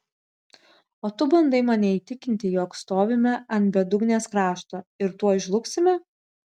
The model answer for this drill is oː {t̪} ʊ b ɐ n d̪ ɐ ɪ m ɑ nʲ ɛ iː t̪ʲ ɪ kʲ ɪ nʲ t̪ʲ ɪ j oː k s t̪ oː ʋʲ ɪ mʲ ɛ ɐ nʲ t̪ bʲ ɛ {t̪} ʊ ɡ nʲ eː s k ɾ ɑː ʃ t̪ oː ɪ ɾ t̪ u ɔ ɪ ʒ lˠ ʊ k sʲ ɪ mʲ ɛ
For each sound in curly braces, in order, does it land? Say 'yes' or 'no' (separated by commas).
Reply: yes, no